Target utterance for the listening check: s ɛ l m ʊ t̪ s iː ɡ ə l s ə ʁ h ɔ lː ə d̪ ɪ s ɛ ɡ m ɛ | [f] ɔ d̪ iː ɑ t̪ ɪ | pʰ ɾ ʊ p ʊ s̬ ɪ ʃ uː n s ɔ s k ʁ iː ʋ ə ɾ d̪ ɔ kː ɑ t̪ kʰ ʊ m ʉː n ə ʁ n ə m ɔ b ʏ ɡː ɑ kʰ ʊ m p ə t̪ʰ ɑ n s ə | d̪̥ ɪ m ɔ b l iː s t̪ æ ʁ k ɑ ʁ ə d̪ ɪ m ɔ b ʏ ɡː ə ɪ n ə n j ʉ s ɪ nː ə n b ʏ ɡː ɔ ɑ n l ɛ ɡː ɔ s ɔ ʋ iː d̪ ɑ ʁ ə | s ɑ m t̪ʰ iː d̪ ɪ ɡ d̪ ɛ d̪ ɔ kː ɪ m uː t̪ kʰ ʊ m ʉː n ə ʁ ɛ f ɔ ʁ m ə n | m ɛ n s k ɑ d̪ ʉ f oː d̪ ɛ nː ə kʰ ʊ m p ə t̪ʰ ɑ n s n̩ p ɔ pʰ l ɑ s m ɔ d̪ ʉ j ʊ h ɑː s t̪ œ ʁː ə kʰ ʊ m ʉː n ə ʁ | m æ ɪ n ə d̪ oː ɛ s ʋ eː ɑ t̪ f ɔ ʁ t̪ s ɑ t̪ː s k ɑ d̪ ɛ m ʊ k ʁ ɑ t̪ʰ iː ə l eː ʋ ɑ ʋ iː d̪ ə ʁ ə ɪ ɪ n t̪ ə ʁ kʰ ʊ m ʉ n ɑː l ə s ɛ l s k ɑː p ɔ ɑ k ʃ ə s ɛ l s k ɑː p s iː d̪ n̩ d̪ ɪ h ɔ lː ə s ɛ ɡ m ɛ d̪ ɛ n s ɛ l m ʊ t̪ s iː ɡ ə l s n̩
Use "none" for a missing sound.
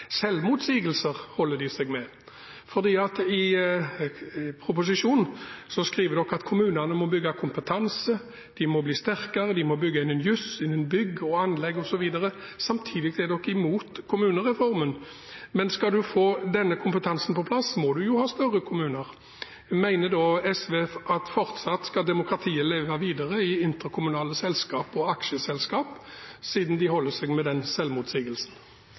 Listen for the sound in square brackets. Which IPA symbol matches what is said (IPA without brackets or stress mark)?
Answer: f